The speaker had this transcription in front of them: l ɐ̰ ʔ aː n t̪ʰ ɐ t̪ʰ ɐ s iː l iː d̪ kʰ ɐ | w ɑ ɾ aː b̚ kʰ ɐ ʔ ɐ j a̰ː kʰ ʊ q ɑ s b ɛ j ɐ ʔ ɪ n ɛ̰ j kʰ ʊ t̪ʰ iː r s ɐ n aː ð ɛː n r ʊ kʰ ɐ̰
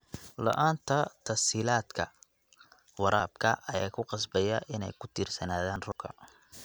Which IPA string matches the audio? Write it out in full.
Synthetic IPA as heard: l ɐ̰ ʔ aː n t̪ʰ ɐ t̪ʰ ɐ s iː l aː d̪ kʰ ɐ | w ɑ ɾ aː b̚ kʰ ɐ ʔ ɐ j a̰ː kʰ ʊ q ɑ s b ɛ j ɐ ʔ ɪ n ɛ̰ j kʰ ʊ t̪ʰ iː r s ɐ n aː ð aː n r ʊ kʰ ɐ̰

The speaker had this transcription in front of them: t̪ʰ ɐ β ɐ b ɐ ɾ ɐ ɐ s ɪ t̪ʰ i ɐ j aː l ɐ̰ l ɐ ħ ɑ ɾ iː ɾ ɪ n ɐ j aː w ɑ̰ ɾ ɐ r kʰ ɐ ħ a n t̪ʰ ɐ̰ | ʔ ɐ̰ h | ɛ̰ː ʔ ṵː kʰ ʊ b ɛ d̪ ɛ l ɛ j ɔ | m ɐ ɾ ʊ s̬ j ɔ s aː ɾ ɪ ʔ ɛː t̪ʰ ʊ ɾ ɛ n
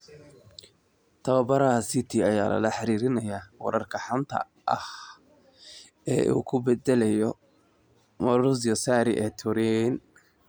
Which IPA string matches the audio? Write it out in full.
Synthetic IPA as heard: t̪ʰ ɐ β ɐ b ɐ ɾ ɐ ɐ s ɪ t̪ʰ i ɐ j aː l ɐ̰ l ɐ ħ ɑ ɾ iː ɾ ɪ n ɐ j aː w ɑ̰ ɾ ɐ r kʰ ɐ ħ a n t̪ʰ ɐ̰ | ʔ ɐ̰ h | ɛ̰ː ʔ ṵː kʰ ʊ b ɛ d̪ ɛ l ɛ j ɔ | m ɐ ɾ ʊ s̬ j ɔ s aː ɾ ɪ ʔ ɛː t̪ʰ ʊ ɾ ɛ n

